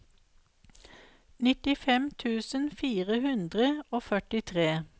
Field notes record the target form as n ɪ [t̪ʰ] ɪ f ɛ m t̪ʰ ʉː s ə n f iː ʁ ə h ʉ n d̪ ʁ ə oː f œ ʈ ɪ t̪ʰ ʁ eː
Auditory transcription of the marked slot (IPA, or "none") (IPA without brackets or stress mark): t̪